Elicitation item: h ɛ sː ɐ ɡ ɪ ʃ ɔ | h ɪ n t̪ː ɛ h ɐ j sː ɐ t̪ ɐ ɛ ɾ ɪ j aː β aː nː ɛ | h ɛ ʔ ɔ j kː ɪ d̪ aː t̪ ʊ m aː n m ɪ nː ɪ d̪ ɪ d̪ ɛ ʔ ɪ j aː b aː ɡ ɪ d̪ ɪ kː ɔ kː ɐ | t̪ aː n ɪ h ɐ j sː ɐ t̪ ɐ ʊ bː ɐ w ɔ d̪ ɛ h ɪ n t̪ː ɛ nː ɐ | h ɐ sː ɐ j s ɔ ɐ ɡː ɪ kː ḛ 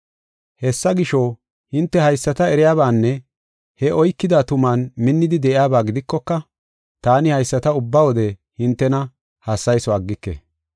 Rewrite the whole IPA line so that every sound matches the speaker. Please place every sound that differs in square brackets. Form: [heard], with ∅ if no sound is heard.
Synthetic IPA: h ɛ sː ɐ ɡ ɪ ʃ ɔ | h ɪ n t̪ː ɛ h ɐ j sː ɐ t̪ ɐ ɛ ɾ ɪ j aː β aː nː ɛ | h ɛ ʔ ɔ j kː ɪ d̪ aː t̪ ʊ m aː n m ɪ nː ɪ d̪ ɪ d̪ ɛ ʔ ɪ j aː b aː ɡ ɪ d̪ ɪ kː ɔ kː ɐ | t̪ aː n ɪ h ɐ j sː ɐ t̪ ɐ ʊ bː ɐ w ɔ d̪ ɛ h ɪ n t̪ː ɛ [n] ɐ | h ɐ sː ɐ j s ɔ ɐ ɡː ɪ kː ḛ